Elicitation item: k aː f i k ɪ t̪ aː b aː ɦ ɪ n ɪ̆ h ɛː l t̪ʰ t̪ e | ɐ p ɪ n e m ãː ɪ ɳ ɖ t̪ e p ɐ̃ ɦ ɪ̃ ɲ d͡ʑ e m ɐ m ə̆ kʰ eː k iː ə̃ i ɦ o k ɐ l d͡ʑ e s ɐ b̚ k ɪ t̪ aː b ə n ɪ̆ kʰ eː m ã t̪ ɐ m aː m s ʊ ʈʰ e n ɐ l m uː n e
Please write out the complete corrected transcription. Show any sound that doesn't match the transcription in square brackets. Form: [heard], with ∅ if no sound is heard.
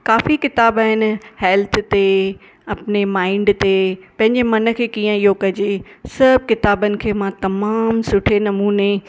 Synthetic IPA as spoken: k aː f i k ɪ t̪ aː b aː ɦ ɪ n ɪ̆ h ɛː l t̪ʰ t̪ e | ɐ p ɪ n e m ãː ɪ ɳ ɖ t̪ e p ɐ̃ ɦ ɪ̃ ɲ d͡ʑ e m ɐ [n] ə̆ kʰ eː k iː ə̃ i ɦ o k ɐ [∅] d͡ʑ e s ɐ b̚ k ɪ t̪ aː b ə n ɪ̆ kʰ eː m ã t̪ ɐ m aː m s ʊ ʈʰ e n ɐ [∅] m uː n e